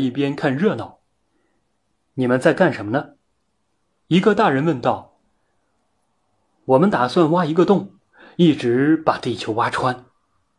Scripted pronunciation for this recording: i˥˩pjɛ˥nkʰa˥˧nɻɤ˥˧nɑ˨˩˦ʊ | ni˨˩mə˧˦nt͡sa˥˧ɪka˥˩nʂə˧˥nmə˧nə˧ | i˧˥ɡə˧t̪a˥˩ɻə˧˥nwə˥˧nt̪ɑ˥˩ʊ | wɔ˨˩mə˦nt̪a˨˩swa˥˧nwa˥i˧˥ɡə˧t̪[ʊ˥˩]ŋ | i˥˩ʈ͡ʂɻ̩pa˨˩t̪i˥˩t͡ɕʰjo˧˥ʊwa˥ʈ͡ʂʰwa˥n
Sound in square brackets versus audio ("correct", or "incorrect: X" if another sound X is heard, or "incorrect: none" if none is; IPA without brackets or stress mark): correct